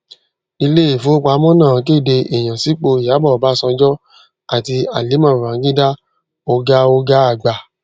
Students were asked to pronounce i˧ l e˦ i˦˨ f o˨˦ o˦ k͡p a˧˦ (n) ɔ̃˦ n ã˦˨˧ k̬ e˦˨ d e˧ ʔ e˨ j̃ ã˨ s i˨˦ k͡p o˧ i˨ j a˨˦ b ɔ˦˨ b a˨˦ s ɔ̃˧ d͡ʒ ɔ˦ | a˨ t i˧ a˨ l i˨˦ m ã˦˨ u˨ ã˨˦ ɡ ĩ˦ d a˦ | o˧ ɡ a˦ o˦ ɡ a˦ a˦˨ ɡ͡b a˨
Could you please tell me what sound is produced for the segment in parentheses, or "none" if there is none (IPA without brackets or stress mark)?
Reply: m